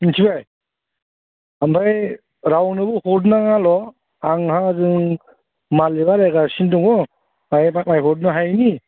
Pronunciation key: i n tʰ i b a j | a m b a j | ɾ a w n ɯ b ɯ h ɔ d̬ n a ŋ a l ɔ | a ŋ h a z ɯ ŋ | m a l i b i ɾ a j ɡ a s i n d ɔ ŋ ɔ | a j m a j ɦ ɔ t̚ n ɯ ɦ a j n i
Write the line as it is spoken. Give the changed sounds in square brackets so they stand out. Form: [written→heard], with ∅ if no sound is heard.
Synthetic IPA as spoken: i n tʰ i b a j | a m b a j | ɾ a w n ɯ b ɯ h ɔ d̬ n a ŋ a l ɔ | a ŋ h a z ɯ ŋ | m a l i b [i→a] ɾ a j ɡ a s i n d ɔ ŋ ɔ | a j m a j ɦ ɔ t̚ n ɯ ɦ a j n i